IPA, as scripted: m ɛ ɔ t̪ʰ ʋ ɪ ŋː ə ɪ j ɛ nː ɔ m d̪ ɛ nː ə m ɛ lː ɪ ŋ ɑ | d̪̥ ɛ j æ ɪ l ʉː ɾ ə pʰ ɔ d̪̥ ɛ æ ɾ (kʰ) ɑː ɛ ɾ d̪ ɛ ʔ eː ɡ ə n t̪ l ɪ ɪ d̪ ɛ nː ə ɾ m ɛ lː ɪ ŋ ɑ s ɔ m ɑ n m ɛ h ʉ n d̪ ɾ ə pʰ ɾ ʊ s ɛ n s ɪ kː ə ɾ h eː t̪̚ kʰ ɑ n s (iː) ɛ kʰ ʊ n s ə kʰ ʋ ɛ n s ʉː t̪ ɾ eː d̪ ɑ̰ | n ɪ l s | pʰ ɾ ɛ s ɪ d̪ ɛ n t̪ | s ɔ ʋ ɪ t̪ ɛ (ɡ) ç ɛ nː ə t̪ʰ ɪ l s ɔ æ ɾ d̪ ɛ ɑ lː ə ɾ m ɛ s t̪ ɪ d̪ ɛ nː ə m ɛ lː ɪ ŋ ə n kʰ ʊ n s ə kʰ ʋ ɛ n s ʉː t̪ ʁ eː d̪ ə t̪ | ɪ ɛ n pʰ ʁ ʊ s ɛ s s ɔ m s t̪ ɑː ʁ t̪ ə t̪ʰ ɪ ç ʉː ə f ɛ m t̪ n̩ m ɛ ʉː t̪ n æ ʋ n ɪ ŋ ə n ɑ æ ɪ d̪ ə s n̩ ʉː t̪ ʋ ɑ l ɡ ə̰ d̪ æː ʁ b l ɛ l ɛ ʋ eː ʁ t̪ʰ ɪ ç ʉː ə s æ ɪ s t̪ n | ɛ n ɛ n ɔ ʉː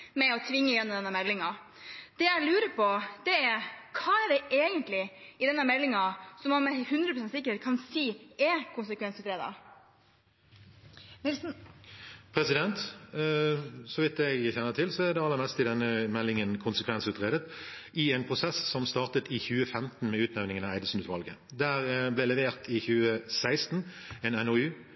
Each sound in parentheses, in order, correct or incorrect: correct, correct, correct

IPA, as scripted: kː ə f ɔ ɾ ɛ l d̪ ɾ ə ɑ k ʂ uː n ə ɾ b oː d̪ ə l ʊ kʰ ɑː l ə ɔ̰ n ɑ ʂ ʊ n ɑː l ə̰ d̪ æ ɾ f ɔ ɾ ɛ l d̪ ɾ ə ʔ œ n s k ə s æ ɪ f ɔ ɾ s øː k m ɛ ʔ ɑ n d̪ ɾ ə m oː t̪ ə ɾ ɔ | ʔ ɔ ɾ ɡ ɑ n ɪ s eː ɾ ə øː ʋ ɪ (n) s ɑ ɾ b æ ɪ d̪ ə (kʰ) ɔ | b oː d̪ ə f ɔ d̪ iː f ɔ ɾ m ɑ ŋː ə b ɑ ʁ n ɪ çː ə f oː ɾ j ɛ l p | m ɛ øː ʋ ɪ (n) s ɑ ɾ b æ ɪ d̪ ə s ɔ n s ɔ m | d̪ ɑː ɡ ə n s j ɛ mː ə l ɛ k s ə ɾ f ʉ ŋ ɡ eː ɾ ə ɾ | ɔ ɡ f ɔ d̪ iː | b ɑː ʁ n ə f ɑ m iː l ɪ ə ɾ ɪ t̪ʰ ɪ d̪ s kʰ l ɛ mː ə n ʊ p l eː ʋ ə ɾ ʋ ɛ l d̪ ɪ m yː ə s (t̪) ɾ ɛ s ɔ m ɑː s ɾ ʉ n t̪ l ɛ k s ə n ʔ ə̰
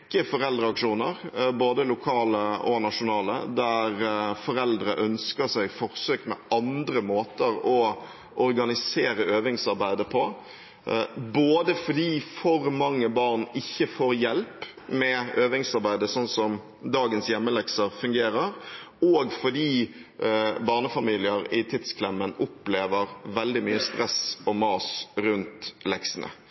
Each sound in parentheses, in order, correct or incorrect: incorrect, incorrect, incorrect, correct

